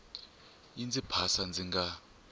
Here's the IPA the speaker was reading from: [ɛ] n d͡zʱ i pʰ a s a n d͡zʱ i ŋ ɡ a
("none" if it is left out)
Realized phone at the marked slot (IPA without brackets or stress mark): i